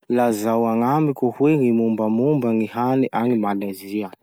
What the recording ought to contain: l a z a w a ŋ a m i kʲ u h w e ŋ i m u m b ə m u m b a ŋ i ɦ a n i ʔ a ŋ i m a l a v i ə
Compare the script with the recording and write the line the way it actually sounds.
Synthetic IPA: l a z a w a ŋ a m i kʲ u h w e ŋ i m u m b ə m u m b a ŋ i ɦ a n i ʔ a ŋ i m a l a z i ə

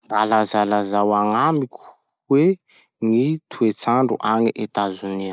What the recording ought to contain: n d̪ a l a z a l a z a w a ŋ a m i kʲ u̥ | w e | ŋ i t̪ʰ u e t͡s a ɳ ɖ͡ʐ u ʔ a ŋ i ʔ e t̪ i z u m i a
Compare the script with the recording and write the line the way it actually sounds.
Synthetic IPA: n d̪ a l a z a l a z a w a ŋ a m i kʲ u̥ | w e | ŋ i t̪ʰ u e t͡s a ɳ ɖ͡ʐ u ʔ a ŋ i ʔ e t̪ a z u n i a

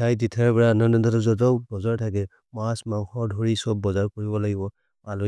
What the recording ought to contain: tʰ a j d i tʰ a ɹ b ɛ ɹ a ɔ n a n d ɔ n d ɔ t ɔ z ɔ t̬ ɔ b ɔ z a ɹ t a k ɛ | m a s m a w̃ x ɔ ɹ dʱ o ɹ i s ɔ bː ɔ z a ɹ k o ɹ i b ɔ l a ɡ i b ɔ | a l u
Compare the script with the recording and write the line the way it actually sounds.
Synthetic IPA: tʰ a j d i tʰ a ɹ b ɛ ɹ a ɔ n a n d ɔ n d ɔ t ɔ z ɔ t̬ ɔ b ɔ z a ɹ tʰ a k ɛ | m a s m a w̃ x ɔ ɹ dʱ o ɹ i s ɔ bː ɔ z a ɹ k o ɹ i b ɔ l a ɡ i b ɔ | a l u

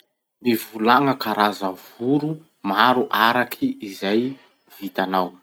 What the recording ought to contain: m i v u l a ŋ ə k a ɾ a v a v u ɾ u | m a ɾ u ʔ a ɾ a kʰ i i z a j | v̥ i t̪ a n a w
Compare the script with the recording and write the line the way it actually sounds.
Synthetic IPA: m i v u l a ŋ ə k a ɾ a z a v u ɾ u | m a ɾ u ʔ a ɾ a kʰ i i z a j | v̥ i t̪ a n a w

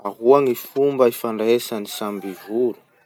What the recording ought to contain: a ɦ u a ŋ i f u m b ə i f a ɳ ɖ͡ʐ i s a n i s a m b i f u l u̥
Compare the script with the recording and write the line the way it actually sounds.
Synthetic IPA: a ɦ u a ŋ i f u m b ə i f a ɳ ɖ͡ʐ e s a n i s a m b i v u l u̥

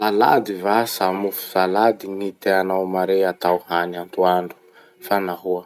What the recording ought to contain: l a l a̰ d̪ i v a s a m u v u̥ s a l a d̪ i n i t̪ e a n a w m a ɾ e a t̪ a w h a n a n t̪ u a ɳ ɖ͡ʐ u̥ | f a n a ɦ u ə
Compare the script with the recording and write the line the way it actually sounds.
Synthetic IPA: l a l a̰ d̪ i v a s a m u f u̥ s a l a d̪ i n i t̪ e a n a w m a ɾ e a t̪ a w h a n a n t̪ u a ɳ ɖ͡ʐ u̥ | f a n a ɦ u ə

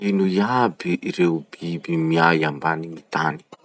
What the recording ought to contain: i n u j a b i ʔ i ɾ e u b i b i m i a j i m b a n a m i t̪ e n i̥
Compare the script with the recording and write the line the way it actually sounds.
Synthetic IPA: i n u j a b i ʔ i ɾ e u b i b i m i a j a m b a n i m i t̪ a n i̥

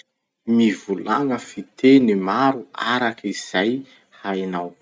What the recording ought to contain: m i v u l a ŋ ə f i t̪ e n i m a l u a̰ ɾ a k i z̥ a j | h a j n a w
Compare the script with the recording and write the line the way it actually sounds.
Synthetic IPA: m i v u l a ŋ ə f i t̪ e n i m a ɾ u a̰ ɾ a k i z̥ a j | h a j n a w

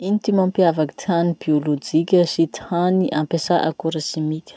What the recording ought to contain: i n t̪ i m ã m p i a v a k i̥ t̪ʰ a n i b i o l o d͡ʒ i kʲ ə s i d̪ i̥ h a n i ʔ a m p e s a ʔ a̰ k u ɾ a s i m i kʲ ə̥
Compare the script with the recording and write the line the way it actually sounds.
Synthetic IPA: i n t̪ i m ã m p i a v a k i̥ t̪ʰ a n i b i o l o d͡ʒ i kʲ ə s i t̪ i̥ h a n i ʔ a m p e s a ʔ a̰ k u ɾ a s i m i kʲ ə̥

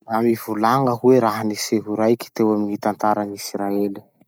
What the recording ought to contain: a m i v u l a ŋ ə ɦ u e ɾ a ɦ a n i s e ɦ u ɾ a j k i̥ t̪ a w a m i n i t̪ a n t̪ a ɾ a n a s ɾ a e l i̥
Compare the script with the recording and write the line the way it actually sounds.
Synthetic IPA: a m i v u l a ŋ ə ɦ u e ɾ a ɦ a n i s e ɦ u ɾ a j k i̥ t̪ e w a m i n i t̪ a n t̪ a ɾ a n i s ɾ a e l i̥

